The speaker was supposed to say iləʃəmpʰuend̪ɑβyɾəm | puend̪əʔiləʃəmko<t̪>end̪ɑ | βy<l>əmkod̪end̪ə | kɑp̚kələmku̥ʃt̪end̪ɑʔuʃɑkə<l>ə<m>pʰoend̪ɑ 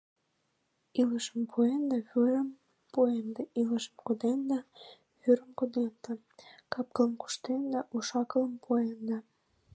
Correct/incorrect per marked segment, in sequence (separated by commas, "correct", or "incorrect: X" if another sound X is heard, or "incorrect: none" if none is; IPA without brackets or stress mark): incorrect: d̪, incorrect: ɾ, correct, correct